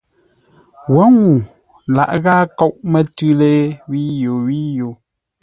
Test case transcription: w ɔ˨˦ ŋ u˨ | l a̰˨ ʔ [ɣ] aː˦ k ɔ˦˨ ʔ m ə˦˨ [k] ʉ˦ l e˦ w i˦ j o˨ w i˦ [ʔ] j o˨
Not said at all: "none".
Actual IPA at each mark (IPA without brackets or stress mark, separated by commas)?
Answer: ɣ, t, none